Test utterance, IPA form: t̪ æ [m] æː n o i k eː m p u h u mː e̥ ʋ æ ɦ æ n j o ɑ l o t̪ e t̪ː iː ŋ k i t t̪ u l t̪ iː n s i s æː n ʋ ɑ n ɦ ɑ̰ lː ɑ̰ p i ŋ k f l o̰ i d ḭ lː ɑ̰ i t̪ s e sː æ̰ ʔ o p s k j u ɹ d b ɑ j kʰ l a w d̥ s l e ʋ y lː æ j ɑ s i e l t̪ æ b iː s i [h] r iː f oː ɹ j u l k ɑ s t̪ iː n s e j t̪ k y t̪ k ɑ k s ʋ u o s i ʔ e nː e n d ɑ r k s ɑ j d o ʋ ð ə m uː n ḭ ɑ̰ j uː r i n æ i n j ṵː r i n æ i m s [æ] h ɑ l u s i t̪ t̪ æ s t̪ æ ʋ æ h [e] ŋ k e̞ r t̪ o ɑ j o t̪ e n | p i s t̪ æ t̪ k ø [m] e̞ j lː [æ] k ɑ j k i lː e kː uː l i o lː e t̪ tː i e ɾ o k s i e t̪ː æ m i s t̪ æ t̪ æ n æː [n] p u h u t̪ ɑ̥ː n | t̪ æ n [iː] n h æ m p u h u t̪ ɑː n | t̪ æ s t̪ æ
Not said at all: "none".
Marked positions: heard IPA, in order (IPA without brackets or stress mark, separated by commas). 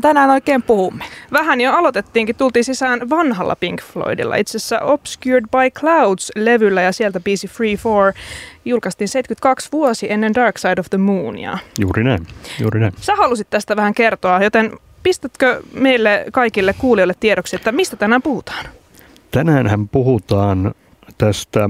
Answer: n, f, æ, æ, m, e, m, æː